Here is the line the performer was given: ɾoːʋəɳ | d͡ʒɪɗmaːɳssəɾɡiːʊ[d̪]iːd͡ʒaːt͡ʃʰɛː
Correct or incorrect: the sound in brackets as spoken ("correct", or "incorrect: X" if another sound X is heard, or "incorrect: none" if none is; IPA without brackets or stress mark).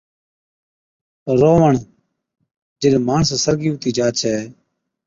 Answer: incorrect: t̪